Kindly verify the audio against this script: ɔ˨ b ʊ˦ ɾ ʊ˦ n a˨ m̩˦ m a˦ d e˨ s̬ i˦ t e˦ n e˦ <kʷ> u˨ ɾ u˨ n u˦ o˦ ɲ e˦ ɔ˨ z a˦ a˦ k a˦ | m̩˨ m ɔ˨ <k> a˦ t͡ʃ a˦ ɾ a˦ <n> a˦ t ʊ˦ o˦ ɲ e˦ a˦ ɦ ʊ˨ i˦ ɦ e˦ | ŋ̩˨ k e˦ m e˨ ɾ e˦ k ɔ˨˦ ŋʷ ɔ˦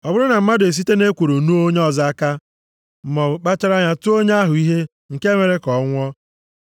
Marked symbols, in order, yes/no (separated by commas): yes, no, no